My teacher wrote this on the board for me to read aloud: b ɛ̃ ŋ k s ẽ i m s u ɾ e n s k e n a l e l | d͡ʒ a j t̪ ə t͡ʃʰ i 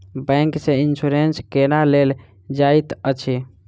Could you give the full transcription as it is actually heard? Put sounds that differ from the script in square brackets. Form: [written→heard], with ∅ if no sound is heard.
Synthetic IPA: b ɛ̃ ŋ k s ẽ i [m→n] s u ɾ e n s k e n a l e l | d͡ʒ a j t̪ ə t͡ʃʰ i